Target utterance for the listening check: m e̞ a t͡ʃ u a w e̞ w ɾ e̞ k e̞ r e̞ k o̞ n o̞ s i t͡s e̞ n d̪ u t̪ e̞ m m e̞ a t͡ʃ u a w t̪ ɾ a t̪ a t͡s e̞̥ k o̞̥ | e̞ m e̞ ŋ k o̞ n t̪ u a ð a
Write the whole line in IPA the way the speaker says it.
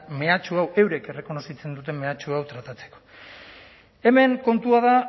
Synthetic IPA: m e̞ a t͡ʃ u a w e̞ w ɾ e̞ k e̞ r e̞ k o̞ n o̞ s i t͡s e̞ n d̪ u t̪ e̞ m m e̞ a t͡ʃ u a w t̪ ɾ a t̪ a t͡s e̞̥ k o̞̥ | e̞ m e̞ ŋ k o̞ n t̪ u a ð a